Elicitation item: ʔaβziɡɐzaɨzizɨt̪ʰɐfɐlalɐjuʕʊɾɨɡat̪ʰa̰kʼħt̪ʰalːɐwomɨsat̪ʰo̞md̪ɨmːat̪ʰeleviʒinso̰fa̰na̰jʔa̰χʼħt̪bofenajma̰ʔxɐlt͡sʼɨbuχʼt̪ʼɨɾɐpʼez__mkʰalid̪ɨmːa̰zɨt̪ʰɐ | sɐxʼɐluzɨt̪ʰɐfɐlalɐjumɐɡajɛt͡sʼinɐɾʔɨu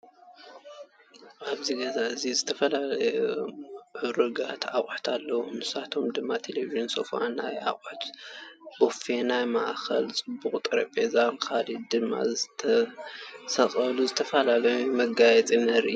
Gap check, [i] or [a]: a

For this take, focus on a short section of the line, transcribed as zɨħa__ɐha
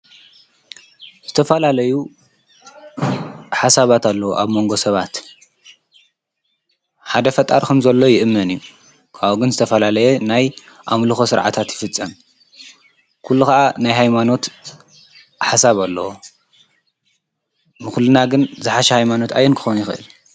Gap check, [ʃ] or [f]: ʃ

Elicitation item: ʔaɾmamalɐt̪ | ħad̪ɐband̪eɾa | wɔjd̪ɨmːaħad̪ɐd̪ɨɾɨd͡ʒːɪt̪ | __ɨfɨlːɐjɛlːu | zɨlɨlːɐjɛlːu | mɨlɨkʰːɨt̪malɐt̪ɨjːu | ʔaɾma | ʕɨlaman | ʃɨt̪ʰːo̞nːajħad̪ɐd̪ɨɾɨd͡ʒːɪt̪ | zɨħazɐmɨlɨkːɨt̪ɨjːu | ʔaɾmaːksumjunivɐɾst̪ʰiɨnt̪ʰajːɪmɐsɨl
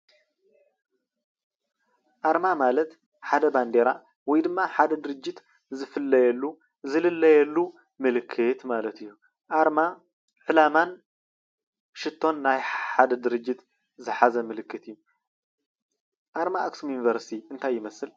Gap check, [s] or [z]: z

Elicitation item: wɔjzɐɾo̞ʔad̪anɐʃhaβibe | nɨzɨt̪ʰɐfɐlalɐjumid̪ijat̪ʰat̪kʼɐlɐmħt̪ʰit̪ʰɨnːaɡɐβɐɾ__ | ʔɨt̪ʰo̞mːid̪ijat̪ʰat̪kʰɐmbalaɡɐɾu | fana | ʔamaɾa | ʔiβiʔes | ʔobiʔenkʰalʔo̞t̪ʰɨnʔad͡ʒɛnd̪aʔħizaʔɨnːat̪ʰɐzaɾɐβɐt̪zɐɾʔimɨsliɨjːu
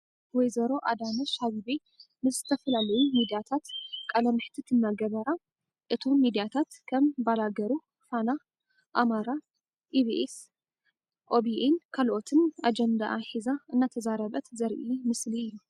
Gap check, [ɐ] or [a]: a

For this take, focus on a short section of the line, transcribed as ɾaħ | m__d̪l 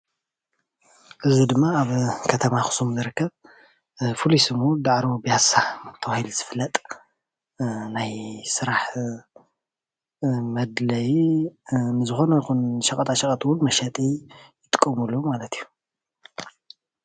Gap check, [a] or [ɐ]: ɐ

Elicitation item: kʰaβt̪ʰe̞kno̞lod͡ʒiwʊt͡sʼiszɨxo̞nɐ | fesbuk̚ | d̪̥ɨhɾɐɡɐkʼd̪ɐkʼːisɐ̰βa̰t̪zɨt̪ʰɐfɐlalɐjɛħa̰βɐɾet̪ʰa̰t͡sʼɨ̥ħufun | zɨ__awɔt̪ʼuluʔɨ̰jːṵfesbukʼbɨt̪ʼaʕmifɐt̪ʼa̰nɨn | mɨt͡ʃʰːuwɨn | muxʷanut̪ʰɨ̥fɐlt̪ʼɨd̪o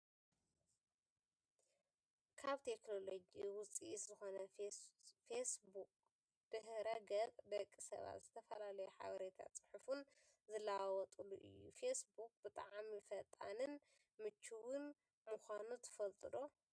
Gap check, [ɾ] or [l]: l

